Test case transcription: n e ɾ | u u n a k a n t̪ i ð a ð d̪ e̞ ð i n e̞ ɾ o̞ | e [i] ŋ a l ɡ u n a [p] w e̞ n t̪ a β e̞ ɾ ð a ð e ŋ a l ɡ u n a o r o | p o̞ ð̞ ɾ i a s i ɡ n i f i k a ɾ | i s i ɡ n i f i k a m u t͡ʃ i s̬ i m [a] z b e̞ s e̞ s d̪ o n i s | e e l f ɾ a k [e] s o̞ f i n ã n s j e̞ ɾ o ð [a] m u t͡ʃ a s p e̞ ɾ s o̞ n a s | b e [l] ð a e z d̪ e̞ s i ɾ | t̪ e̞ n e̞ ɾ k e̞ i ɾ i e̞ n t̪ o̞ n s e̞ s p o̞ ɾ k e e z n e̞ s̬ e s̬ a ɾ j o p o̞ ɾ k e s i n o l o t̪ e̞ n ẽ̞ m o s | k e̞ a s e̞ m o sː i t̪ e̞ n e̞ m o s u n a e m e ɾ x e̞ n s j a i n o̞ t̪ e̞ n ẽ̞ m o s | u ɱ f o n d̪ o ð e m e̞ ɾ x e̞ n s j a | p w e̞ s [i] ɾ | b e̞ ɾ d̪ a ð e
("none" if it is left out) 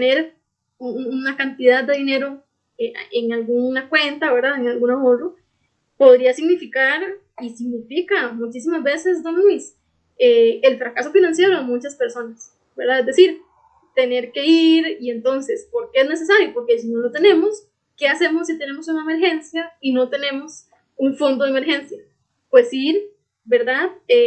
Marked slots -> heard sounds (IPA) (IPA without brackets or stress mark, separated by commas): e, k, a, a, e, ɾ, i